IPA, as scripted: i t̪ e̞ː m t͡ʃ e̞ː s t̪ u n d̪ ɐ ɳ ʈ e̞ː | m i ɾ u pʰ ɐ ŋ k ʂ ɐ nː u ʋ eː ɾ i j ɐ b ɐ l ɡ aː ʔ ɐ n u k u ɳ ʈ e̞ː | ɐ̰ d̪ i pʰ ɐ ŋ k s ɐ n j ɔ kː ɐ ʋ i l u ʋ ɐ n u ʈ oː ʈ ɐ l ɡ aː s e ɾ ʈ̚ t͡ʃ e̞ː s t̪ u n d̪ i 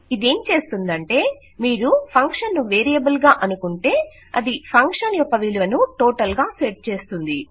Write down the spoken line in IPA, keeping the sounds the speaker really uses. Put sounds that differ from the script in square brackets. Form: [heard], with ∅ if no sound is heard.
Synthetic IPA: i [d̪] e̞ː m t͡ʃ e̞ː s t̪ u n d̪ ɐ ɳ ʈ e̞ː | m [iː] ɾ u pʰ ɐ ŋ k ʂ ɐ nː u ʋ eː ɾ i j ɐ b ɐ l ɡ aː ʔ ɐ n u k u ɳ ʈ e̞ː | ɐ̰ d̪ i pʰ ɐ ŋ k [ʂ] ɐ n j ɔ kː ɐ ʋ i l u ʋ ɐ n u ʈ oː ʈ ɐ l ɡ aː s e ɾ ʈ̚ t͡ʃ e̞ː s t̪ u n d̪ i